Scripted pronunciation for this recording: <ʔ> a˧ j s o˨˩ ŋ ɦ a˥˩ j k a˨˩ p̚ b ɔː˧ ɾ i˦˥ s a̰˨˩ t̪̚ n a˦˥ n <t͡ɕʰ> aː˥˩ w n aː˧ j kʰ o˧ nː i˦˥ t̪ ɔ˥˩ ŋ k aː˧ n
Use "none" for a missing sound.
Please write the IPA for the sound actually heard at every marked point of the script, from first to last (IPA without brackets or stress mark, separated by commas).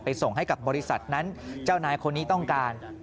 p, t͡ɕ